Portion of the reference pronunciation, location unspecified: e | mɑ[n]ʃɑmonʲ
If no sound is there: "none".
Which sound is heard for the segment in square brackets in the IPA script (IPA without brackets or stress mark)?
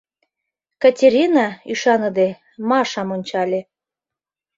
none